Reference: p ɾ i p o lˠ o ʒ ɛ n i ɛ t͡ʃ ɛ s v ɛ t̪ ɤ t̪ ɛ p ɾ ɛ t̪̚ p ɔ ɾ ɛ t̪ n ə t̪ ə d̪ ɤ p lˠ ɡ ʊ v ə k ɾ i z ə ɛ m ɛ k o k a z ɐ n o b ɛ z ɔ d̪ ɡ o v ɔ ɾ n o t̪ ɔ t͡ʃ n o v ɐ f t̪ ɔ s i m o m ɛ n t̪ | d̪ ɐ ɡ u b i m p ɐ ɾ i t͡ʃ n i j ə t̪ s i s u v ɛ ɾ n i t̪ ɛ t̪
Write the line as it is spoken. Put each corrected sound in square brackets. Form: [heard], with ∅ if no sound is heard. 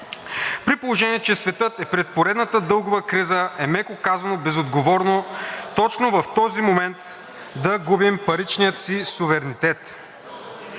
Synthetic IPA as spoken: p ɾ i p o lˠ o ʒ ɛ n i ɛ t͡ʃ ɛ s v ɛ t̪ ɤ t̪ ɛ p ɾ ɛ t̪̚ p [o] ɾ ɛ [d̪] n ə t̪ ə d̪ ɤ [∅] lˠ ɡ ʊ v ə k ɾ i z ə ɛ m ɛ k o k a z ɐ n o b ɛ z [o] d̪ ɡ o v ɔ ɾ n o t̪ ɔ t͡ʃ n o v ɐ f t̪ ɔ [z] i m o m ɛ n t̪ | d̪ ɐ ɡ u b i m p ɐ ɾ i t͡ʃ n i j ə t̪ s i s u v ɛ ɾ n i t̪ ɛ t̪